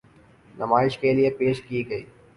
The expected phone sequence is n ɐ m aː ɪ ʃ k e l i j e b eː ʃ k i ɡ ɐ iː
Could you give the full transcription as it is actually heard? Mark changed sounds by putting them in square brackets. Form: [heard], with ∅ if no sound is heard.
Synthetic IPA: n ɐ m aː ɪ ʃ k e l i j e [p] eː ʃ k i ɡ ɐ iː